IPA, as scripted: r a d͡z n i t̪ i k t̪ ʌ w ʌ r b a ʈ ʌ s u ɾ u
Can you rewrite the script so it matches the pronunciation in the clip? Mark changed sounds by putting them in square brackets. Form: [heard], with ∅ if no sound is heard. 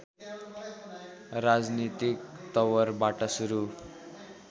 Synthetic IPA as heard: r a d͡z n i t̪ i k t̪ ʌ w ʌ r b a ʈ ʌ s u ɾ u